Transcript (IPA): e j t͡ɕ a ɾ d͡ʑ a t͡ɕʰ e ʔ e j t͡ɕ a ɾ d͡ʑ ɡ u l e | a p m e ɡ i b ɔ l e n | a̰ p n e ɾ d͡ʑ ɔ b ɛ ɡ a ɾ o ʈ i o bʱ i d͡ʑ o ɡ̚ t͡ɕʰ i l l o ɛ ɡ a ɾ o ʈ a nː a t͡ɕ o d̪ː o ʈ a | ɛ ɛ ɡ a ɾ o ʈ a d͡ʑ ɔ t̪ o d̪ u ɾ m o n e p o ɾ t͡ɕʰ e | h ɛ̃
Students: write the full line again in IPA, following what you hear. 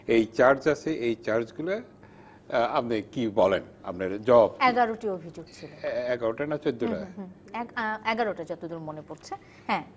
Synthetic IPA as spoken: e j t͡ɕ a ɾ d͡ʑ a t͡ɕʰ e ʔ e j t͡ɕ a ɾ d͡ʑ ɡ u l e | a p n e k i b ɔ l e n | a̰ p n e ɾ d͡ʑ ɔ b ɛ ɡ a ɾ o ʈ i o bʱ i d͡ʑ o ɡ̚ t͡ɕʰ i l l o ɛ ɡ a ɾ o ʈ a n a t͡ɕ o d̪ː o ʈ a | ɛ ɛ ɡ a ɾ o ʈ a d͡ʑ ɔ t̪ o d̪ u ɾ m o n e p o ɾ t͡ɕʰ e | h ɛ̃